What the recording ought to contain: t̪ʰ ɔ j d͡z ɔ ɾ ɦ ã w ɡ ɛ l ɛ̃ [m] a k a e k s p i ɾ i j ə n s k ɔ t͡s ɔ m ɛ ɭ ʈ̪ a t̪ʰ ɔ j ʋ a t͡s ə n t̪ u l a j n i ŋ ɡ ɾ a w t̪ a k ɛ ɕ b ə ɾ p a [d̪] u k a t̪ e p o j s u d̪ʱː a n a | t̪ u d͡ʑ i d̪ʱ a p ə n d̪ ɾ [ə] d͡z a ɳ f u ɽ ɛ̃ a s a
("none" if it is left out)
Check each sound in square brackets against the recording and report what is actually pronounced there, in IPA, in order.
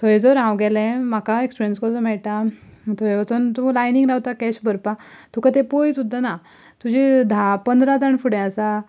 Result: m, t̪, a

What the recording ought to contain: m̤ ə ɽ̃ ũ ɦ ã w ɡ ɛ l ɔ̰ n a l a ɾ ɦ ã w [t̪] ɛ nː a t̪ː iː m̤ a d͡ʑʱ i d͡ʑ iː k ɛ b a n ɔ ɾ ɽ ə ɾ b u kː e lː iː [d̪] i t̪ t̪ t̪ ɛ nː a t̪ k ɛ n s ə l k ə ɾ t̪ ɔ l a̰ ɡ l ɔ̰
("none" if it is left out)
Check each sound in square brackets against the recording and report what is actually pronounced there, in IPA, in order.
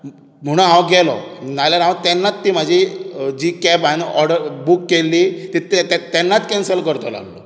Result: t̪, t̪

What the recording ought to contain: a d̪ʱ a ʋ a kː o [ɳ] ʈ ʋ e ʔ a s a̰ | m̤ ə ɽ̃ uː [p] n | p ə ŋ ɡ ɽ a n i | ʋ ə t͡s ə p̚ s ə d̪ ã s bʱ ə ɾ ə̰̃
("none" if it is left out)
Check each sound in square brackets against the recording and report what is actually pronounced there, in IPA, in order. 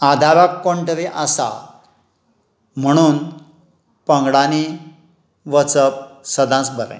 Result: ɳ, none

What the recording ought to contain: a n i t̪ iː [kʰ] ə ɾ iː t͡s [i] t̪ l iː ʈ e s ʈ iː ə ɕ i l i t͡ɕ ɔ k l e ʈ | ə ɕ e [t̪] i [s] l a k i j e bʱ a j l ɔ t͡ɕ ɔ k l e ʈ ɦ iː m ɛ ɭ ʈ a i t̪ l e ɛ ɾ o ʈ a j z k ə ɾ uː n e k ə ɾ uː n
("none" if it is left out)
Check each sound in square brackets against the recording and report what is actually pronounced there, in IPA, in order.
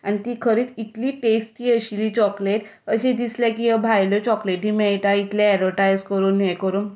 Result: kʰ, i, d̪, s

